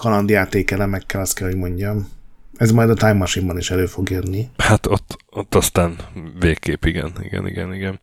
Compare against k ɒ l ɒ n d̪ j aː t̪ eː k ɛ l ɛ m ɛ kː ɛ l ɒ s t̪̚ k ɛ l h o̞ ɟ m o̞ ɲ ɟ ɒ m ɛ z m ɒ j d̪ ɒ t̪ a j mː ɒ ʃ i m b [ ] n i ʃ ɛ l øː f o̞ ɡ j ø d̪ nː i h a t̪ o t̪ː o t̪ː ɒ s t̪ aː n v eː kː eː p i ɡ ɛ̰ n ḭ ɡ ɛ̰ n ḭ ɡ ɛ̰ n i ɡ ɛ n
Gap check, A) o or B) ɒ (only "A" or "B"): B